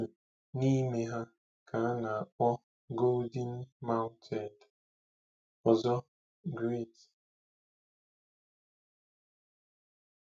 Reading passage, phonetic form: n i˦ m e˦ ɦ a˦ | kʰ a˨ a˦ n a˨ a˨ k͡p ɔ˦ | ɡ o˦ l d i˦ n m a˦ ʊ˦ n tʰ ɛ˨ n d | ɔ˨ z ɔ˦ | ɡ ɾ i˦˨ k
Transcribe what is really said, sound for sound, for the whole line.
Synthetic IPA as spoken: n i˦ m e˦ ɦ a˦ | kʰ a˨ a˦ n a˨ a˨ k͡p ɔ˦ | ɡ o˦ l d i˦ n m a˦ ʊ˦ n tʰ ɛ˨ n d | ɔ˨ z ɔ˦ | ɡ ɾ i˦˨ t